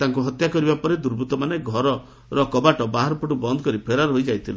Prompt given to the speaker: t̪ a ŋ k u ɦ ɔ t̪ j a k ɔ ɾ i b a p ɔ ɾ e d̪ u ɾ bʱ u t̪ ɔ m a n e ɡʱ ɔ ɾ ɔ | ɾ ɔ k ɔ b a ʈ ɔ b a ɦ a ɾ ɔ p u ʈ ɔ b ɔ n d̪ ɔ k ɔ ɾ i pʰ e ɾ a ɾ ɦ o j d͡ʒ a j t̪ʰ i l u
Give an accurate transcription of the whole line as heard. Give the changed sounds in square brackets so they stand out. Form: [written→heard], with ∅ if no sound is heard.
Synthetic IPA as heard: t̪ a ŋ k u ɦ ɔ t̪ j a k ɔ ɾ i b a p ɔ ɾ e d̪ u ɾ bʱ u t̪ ɔ m a n e ɡʱ ɔ ɾ ɔ | ɾ ɔ k ɔ b a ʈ ɔ b a ɦ a ɾ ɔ p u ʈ [ɔ→u] b ɔ n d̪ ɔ k ɔ ɾ i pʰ e ɾ a ɾ ɦ o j d͡ʒ a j t̪ʰ i l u